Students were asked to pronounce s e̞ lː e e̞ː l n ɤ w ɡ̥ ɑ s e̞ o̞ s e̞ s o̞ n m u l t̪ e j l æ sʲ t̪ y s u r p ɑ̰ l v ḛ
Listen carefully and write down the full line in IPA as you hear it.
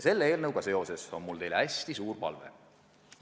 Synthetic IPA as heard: s e̞ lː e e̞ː l n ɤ w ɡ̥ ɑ s e̞ o̞ s e̞ s o̞ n m u l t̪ e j l æ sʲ t̪ i s uː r p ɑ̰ l v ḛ